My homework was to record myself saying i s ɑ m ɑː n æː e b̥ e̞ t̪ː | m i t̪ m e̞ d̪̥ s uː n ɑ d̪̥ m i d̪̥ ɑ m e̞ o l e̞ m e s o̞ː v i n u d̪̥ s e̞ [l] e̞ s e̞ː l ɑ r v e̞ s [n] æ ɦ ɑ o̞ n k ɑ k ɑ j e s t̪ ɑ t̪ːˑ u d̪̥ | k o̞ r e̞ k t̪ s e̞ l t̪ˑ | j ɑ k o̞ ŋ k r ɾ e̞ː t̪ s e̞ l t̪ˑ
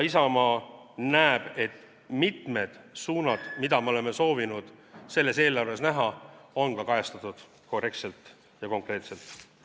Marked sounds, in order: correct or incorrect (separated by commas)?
incorrect, correct